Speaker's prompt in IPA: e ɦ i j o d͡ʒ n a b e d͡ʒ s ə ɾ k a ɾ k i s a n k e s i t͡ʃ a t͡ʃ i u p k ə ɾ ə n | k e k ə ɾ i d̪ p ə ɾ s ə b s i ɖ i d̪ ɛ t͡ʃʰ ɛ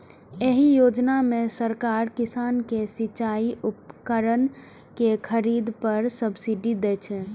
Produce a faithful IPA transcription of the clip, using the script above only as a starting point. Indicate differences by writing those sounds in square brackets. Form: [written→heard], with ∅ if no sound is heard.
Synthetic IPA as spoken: e ɦ i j o d͡ʒ n a [b→m] e [d͡ʒ→∅] s ə ɾ k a ɾ k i s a n k e s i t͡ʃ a [t͡ʃ→∅] i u p k ə ɾ ə n | k e [k→kʰ] ə ɾ i d̪ p ə ɾ s ə b s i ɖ i d̪ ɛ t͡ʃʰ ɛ

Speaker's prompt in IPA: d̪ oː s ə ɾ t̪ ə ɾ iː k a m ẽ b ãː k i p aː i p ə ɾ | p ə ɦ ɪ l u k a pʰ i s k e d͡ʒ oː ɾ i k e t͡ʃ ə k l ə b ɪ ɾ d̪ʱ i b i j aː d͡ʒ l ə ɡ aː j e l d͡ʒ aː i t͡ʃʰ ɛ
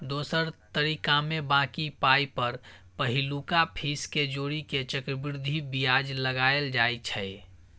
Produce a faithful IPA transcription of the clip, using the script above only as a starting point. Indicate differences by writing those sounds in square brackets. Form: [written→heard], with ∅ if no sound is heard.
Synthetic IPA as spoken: d̪ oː s ə ɾ t̪ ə ɾ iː k a m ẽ b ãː k i p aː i p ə ɾ | p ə ɦ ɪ l u k a pʰ i s k e d͡ʒ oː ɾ i k e t͡ʃ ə k [l→ɾ] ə b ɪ ɾ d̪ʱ i b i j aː d͡ʒ l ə ɡ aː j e l d͡ʒ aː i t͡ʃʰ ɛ

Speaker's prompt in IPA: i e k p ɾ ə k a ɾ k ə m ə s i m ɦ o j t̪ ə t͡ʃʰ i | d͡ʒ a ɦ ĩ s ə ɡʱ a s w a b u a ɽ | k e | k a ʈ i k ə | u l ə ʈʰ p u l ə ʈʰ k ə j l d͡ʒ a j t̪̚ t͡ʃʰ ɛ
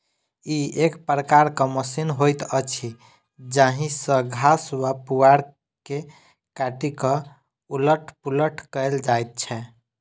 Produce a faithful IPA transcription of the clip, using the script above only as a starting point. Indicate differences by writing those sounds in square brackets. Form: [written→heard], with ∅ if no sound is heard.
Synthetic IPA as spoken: i e k p ɾ ə k a ɾ k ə m ə s i [m→n] ɦ o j t̪ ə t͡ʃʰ i | d͡ʒ a ɦ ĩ s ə ɡʱ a s w a [b→p] u a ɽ | k e | k a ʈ i k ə | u l ə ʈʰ p u l ə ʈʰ k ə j l d͡ʒ a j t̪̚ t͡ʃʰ ɛ

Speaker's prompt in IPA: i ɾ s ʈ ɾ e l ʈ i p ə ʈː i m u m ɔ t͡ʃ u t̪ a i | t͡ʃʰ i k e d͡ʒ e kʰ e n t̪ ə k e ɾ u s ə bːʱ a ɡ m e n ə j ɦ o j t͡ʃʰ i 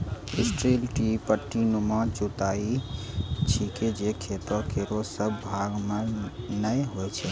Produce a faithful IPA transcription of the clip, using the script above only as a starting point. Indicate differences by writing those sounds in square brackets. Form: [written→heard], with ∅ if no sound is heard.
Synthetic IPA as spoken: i [ɾ→∅] s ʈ ɾ e l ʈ i p ə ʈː i [m→n] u m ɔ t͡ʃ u t̪ a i | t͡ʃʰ i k e d͡ʒ e kʰ e [n→∅] t̪ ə k e ɾ [u→o] s ə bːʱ a ɡ m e n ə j ɦ o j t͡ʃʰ [i→ɛ]

